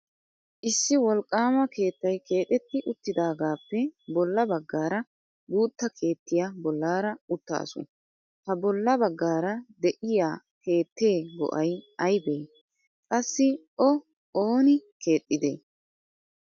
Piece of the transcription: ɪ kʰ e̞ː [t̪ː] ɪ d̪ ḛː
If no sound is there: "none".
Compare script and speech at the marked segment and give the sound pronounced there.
t̪ʼː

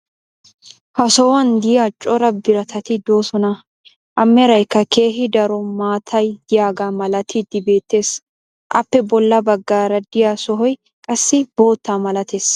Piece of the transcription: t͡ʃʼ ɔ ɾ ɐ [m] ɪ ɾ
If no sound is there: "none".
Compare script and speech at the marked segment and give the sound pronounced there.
b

